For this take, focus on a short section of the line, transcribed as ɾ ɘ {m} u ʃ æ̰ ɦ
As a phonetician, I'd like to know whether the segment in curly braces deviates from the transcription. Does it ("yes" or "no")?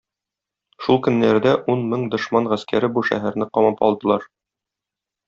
yes